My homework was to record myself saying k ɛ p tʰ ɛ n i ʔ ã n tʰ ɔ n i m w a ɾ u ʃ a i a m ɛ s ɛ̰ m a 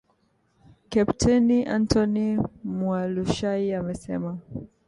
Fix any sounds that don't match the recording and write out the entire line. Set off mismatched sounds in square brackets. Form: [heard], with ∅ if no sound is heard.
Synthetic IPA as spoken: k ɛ p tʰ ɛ n i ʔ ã n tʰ ɔ n i m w a [l] u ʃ a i a m ɛ s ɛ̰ m a